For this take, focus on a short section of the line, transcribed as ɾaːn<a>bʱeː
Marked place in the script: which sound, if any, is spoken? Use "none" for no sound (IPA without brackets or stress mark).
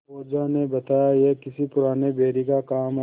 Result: e